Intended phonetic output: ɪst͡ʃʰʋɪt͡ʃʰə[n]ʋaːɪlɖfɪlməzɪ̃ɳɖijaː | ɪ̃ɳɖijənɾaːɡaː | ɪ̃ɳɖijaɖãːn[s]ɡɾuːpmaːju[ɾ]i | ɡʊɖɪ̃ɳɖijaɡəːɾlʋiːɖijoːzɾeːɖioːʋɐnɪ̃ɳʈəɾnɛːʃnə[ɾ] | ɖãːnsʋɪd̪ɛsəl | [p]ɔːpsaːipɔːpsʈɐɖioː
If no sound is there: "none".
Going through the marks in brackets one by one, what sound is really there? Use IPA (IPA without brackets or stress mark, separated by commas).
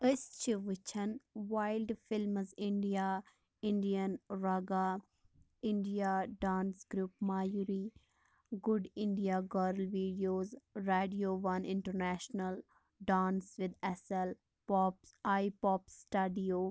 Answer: n, s, ɾ, l, p